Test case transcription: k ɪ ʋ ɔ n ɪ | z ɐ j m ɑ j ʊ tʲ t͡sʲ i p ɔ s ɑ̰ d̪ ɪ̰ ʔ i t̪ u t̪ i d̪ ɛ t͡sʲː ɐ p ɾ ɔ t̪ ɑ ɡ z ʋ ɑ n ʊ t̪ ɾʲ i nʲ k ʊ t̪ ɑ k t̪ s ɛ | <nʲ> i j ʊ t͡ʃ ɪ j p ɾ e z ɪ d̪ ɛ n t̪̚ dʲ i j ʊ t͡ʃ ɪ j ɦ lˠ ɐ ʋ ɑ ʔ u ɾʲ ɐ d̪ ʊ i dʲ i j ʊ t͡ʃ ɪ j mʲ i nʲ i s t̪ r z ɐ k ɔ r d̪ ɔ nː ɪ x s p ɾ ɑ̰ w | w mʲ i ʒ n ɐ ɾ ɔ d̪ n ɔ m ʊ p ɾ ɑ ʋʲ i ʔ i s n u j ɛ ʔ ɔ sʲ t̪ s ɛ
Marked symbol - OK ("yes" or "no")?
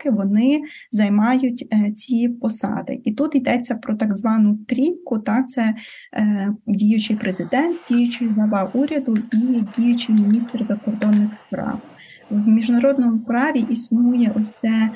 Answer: no